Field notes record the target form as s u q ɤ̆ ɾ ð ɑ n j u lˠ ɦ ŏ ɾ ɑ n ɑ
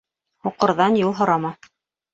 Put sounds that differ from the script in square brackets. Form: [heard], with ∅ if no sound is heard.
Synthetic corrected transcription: [h] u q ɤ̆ ɾ ð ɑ n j u lˠ ɦ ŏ ɾ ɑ [m] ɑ